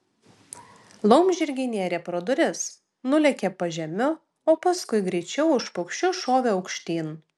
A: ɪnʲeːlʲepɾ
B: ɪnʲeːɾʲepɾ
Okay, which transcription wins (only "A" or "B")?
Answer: B